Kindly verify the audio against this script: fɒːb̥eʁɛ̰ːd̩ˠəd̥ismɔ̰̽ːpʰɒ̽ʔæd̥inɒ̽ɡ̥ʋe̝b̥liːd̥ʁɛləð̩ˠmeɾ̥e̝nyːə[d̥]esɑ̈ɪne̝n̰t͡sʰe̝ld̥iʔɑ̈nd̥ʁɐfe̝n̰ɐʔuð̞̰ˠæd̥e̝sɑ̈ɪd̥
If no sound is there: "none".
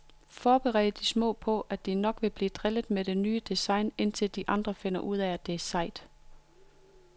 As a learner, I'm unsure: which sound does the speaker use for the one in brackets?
d̥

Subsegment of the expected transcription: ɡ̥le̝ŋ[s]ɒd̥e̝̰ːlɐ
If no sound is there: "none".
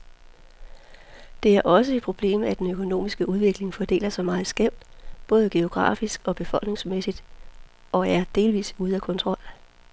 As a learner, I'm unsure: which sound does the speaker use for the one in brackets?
f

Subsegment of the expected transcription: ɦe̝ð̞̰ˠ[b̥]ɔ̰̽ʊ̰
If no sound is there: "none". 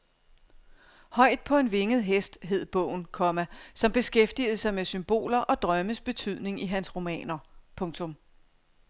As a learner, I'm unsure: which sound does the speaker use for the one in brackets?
b̥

